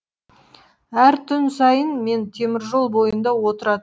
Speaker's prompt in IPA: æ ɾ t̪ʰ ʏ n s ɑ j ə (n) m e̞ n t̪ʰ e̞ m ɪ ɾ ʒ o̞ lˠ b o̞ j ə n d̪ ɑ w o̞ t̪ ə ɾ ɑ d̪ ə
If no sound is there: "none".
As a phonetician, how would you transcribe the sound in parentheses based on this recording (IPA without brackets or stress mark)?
n